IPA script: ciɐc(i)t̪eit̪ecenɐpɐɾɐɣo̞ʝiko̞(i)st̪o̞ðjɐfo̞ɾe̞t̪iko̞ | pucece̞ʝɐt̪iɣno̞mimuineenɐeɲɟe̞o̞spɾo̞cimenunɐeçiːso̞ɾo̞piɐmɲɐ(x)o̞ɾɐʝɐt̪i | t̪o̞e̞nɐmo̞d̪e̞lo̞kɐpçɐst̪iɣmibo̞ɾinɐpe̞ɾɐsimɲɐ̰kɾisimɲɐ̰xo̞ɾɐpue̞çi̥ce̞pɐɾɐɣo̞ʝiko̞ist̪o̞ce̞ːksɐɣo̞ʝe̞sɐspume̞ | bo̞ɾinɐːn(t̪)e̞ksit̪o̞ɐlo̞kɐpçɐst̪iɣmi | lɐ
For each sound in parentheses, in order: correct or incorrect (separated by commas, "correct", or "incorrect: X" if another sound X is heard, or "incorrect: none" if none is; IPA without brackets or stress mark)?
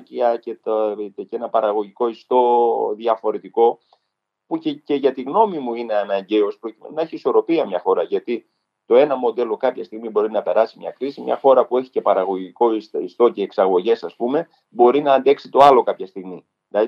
incorrect: e, correct, correct, incorrect: d̪